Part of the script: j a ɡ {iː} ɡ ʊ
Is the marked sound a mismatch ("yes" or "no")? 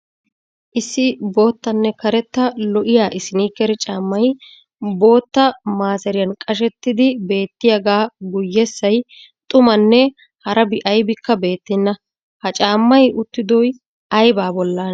yes